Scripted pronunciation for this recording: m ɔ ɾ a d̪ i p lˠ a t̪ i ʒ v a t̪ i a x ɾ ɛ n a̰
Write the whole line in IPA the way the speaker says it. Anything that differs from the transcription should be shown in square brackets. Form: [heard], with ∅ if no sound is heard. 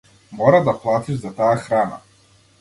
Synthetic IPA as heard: m ɔ ɾ a d̪ [a] p lˠ a t̪ i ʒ [z] a t̪ [a] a x ɾ [a] n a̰